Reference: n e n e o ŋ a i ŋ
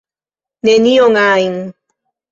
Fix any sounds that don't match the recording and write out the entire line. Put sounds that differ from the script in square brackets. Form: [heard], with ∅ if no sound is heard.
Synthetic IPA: n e n [i] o ŋ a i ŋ